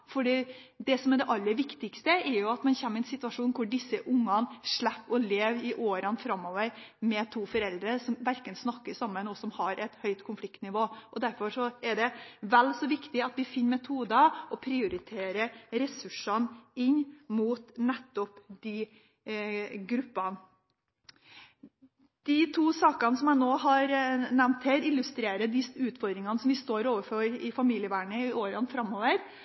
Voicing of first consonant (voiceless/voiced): voiceless